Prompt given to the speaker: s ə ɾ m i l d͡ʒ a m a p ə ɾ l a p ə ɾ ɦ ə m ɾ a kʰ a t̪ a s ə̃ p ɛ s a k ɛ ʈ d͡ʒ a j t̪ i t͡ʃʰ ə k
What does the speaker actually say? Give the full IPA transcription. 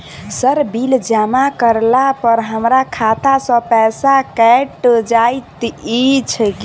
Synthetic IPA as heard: s ə ɾ b i l d͡ʒ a m a k ə ɾ l a p ə ɾ ɦ ə m ɾ a kʰ a t̪ a s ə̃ p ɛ s a k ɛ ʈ d͡ʒ a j t̪ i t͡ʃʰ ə k